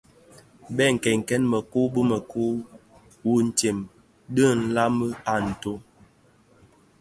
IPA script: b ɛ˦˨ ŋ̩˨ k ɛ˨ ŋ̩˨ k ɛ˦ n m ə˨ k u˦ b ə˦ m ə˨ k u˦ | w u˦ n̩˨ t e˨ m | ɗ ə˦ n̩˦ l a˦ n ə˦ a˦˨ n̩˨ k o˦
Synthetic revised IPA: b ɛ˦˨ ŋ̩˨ k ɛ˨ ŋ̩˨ k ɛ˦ n m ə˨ k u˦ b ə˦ m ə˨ k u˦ | w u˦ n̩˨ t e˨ m | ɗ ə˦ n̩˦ l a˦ m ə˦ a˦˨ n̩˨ t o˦